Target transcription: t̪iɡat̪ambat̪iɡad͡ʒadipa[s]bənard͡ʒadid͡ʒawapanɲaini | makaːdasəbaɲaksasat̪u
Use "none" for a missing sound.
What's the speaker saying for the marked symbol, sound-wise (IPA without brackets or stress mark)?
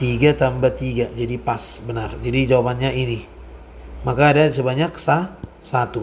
s